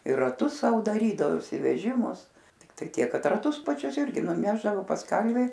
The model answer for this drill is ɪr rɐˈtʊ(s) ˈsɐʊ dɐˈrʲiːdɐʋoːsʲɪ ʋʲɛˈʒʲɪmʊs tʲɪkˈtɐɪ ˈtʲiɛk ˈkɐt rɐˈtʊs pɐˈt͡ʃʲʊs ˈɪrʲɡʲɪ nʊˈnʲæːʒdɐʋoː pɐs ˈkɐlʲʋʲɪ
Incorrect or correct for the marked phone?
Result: correct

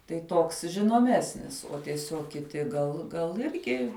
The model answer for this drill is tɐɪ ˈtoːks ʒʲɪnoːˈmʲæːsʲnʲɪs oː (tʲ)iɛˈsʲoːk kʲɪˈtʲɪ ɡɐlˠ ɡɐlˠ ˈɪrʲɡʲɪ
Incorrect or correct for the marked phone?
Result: correct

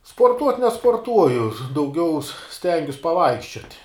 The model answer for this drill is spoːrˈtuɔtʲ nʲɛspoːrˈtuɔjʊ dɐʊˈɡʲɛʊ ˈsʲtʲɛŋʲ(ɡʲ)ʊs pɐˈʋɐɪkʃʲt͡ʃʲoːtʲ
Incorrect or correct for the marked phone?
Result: correct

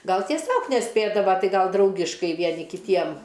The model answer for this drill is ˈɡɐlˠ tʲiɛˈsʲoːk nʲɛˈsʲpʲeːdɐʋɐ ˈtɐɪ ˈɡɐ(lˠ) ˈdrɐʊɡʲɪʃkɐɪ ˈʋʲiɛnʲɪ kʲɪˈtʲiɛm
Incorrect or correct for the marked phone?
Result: correct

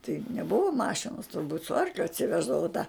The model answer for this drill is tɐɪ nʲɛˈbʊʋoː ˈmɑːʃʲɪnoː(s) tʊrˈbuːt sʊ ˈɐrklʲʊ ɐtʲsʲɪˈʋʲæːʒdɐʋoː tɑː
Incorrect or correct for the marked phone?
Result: correct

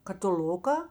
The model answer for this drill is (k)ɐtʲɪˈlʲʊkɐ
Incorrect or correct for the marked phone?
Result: correct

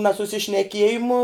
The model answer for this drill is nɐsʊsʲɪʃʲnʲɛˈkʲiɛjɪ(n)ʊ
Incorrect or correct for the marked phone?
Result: incorrect: m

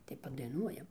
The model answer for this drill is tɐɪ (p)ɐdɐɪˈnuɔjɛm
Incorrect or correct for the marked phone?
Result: correct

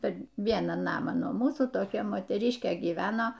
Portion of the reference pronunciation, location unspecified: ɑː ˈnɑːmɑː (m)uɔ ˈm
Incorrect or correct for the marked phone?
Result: incorrect: n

